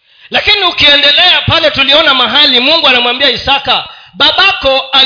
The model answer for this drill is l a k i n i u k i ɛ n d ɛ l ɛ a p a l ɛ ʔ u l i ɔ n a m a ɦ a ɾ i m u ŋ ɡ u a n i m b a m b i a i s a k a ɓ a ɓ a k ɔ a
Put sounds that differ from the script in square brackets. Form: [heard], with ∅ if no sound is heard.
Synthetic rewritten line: l a k i n i u k i ɛ n d ɛ l ɛ a p a l ɛ [t] u l i ɔ n a m a ɦ a [l] i m u ŋ ɡ u a n [a] m [w] a m b i a i s a k a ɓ a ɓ a k ɔ a